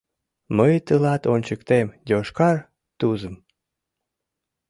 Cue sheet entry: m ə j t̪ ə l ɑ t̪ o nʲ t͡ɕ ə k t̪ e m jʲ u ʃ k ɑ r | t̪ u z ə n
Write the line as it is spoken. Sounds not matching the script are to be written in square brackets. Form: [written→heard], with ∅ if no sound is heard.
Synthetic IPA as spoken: m ə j t̪ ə l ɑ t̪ o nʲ t͡ɕ ə k t̪ e m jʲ [u→o] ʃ k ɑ r | t̪ u z ə [n→m]